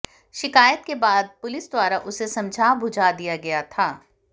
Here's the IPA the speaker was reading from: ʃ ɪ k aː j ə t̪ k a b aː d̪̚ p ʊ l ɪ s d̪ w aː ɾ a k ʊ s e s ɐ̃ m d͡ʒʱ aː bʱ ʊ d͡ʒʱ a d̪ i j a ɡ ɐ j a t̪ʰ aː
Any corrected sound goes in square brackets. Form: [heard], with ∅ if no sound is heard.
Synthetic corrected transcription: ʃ ɪ k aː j ə t̪ k [e] b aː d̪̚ p ʊ l ɪ s d̪ w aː ɾ a [ʔ] ʊ s e s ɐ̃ m d͡ʒʱ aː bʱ ʊ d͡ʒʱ a d̪ i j a ɡ ɐ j a t̪ʰ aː